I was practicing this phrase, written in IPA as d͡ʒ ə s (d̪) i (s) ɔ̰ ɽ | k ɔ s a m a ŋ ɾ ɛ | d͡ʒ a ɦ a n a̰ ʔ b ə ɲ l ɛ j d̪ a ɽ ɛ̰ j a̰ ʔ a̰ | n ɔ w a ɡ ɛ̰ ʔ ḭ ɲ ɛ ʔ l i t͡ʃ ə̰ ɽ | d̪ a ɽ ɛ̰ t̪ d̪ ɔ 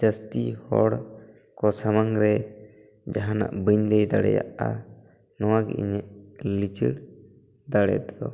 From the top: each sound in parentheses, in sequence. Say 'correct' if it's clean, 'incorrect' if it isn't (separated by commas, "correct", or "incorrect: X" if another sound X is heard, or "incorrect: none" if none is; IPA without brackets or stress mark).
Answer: incorrect: t̪, incorrect: h